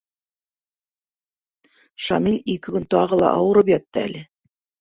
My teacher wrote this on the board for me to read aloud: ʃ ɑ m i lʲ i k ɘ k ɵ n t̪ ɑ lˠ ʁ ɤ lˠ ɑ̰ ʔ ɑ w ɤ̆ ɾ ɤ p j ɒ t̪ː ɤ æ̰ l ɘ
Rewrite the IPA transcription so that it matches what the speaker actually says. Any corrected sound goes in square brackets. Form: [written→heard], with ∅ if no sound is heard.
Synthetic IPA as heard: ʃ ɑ m i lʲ i k ɘ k ɵ n t̪ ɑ [lˠ→∅] ʁ ɤ lˠ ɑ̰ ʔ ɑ w ɤ̆ ɾ ɤ p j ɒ t̪ː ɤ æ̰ l ɘ

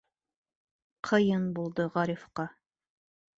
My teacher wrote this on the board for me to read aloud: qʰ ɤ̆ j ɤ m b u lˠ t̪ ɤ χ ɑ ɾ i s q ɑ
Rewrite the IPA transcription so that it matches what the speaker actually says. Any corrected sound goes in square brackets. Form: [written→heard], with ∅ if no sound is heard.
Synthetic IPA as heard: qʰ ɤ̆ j ɤ [m→n] b u lˠ [t̪→d̪] ɤ [χ→ʁ] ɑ ɾ i [s→f] q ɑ

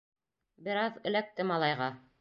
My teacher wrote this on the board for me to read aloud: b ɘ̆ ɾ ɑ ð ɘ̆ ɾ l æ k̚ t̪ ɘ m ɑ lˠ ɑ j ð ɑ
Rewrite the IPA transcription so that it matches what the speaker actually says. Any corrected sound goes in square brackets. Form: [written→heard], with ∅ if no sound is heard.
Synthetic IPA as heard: b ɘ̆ ɾ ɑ ð ɘ̆ [ɾ→∅] l æ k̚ t̪ ɘ m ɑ lˠ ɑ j [ð→ʁ] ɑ

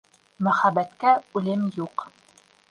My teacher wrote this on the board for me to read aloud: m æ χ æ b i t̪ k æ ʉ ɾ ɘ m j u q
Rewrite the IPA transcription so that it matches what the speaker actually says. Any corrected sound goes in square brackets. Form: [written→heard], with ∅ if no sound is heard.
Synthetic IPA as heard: m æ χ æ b [i→æ] t̪ k æ ʉ [ɾ→l] ɘ m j u q

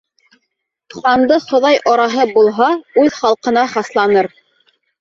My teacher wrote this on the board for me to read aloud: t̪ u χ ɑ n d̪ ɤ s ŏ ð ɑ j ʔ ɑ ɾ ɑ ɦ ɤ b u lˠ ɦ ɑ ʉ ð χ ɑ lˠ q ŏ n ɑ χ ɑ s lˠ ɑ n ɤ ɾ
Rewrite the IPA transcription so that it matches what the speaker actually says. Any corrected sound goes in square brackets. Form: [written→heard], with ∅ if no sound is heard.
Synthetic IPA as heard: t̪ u χ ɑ n d̪ ɤ [s→χ] ŏ ð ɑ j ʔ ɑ ɾ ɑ ɦ ɤ b u lˠ ɦ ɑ ʉ ð χ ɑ lˠ q [ŏ→ɤ̆] n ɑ χ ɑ s lˠ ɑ n ɤ ɾ

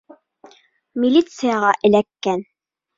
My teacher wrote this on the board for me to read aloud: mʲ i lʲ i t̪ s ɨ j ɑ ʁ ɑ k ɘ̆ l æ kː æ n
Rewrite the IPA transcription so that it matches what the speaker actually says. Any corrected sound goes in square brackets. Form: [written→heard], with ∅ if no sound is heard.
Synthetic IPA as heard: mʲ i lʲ i t̪ s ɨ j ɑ ʁ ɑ [k→ʔ] ɘ̆ l æ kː æ n

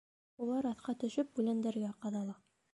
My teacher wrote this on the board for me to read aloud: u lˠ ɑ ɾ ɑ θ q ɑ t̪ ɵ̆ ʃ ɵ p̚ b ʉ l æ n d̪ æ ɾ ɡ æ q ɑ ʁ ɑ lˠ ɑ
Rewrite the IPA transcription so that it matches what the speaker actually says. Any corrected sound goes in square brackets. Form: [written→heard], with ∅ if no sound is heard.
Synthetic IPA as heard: u lˠ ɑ ɾ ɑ θ q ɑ t̪ ɵ̆ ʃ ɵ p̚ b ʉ l æ n d̪ æ ɾ ɡ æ q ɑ [ʁ→ð] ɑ lˠ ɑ

